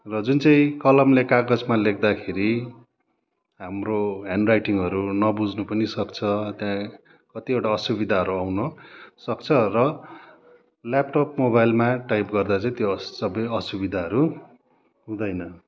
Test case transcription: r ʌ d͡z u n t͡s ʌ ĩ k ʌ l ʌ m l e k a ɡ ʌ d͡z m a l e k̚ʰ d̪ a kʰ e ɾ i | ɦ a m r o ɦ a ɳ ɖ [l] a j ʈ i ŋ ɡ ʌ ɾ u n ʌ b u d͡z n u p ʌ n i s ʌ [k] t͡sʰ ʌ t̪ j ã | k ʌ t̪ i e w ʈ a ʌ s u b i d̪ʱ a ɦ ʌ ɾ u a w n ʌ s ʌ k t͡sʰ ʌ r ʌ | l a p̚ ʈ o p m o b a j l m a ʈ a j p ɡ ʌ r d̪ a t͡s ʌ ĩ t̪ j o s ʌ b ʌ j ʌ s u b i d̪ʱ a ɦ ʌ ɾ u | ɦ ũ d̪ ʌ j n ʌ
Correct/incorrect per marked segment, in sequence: incorrect: r, correct

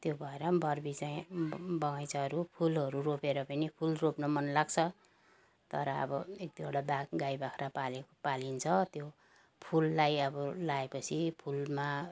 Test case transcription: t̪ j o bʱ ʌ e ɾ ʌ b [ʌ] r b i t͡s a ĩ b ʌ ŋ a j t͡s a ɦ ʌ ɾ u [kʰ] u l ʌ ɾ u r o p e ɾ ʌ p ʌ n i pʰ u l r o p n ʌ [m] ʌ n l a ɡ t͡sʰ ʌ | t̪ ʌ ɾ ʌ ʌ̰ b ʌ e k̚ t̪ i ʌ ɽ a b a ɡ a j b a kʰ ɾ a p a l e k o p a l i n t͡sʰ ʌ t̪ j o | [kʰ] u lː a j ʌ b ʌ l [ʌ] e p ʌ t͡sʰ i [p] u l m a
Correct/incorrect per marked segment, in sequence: correct, incorrect: pʰ, correct, incorrect: pʰ, incorrect: a, incorrect: pʰ

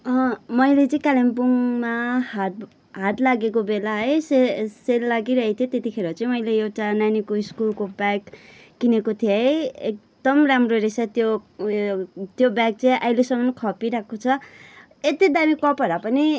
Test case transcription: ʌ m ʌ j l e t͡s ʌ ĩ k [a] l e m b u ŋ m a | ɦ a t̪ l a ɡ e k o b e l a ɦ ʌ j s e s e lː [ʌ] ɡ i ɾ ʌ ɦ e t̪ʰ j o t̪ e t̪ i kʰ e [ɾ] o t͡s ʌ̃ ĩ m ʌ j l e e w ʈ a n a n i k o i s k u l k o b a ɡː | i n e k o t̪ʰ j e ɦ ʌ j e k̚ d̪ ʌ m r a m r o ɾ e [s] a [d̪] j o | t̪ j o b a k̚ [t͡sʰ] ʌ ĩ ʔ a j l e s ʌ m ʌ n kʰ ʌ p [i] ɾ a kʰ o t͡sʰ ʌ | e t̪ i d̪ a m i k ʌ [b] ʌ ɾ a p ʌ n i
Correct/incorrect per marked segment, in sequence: correct, incorrect: a, correct, correct, incorrect: t̪, incorrect: t͡s, correct, incorrect: p

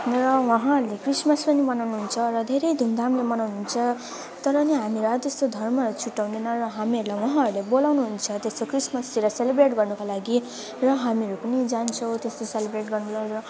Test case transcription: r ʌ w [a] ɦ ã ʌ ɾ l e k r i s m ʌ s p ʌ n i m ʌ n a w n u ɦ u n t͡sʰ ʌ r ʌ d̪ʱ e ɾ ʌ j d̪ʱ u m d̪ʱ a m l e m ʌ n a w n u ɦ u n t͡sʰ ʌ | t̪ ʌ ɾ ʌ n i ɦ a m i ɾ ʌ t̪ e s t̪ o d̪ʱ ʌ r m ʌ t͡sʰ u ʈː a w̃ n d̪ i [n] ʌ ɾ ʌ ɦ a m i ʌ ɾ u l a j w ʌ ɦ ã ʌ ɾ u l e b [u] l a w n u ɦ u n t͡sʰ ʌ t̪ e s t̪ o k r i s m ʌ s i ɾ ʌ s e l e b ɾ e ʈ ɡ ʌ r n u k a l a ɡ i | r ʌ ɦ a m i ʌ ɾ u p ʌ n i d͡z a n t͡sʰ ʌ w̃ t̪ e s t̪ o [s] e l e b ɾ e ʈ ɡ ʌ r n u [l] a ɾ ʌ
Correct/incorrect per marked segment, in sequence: incorrect: ʌ, correct, incorrect: o, correct, correct

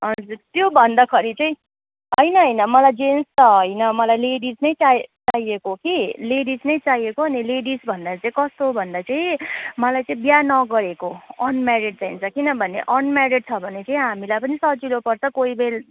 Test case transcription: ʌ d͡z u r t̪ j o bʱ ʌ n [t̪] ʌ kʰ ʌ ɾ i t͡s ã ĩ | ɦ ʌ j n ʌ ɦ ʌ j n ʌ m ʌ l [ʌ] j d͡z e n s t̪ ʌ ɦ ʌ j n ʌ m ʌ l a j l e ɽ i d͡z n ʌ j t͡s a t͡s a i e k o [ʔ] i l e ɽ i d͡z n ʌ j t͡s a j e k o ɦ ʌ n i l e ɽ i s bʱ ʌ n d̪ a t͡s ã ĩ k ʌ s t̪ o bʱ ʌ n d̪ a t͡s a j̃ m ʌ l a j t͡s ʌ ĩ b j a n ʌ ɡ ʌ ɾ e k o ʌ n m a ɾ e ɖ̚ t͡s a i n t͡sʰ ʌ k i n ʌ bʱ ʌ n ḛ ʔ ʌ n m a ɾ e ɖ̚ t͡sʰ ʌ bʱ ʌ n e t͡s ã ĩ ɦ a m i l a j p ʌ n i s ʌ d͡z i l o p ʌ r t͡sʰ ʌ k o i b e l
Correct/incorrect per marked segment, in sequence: incorrect: d̪, incorrect: a, incorrect: k

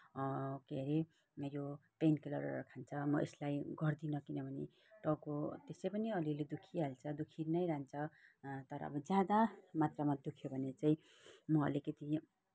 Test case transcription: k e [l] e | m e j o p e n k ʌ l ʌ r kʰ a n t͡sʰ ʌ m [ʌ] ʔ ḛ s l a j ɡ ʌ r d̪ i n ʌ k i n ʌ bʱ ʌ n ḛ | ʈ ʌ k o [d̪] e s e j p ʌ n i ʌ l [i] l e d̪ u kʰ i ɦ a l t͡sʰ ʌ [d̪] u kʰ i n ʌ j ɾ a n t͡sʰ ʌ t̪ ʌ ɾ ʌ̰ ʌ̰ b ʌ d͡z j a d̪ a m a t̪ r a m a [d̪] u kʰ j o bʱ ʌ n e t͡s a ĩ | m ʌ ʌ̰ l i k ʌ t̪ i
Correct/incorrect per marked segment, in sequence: incorrect: ɾ, correct, incorrect: t̪, correct, correct, correct

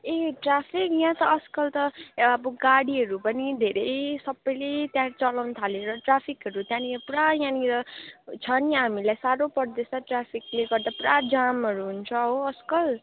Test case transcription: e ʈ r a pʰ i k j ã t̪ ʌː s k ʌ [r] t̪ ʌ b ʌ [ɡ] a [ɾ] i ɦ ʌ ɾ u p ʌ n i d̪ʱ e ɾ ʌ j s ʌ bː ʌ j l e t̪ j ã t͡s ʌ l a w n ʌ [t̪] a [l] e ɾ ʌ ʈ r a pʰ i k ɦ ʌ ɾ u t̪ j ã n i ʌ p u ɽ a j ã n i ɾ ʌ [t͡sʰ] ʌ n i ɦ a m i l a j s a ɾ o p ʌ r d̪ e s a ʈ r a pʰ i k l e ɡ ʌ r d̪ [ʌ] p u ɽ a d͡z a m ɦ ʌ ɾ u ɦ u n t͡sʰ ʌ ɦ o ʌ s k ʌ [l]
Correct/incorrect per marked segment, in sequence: incorrect: l, correct, incorrect: ɽ, incorrect: t̪ʰ, correct, correct, incorrect: a, correct

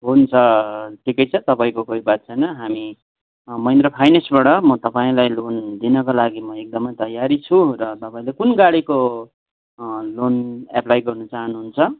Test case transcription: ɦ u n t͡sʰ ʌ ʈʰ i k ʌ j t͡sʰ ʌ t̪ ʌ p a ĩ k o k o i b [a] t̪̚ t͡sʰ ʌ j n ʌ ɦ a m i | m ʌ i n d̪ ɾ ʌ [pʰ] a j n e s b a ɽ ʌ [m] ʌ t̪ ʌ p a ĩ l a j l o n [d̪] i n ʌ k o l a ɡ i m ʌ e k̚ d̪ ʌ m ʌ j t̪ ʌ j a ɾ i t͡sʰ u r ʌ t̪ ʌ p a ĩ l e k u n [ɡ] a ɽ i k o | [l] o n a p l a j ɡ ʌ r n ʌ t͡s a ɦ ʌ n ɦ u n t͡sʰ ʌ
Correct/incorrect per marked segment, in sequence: correct, correct, correct, correct, correct, correct

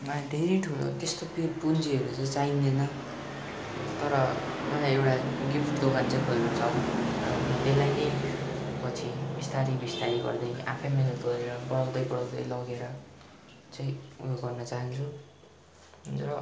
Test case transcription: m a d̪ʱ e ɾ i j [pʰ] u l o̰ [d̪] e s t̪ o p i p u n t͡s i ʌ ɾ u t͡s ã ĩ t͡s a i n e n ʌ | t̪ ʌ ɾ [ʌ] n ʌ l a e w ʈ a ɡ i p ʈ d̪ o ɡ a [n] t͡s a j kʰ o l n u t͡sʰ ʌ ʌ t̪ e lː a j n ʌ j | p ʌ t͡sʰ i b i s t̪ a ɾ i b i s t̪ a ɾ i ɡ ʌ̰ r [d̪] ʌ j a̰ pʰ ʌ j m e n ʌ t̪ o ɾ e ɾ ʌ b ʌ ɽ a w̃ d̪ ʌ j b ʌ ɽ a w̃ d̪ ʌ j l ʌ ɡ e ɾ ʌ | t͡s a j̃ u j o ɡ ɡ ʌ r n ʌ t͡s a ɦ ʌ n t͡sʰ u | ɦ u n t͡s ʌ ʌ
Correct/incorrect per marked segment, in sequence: incorrect: ʈʰ, incorrect: t̪, correct, correct, correct

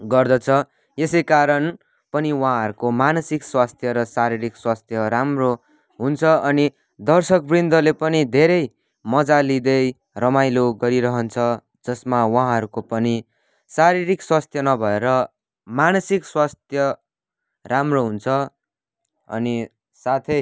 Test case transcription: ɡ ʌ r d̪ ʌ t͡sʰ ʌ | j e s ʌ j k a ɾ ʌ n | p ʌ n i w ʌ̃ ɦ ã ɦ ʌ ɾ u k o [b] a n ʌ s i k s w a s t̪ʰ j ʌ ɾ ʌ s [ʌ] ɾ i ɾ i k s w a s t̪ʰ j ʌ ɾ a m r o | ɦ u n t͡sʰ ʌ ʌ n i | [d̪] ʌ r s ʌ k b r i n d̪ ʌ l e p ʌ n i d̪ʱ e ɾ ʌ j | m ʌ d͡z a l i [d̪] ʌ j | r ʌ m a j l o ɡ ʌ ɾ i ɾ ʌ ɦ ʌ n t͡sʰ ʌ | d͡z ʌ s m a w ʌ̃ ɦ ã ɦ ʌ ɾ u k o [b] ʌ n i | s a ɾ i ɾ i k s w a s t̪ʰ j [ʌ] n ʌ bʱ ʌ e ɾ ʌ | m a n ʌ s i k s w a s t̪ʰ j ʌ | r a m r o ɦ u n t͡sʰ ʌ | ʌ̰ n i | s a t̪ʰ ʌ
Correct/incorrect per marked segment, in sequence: incorrect: m, incorrect: a, correct, correct, incorrect: p, correct

